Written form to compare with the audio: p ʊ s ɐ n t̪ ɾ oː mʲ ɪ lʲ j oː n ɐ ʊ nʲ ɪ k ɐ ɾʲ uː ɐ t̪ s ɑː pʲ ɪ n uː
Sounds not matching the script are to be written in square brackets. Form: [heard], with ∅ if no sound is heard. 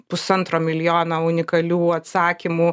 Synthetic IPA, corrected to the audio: p ʊ s ɐ n t̪ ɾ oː mʲ ɪ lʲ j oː n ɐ ʊ nʲ ɪ k ɐ [lʲ] uː ɐ t̪ s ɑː [kʲ] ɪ [m] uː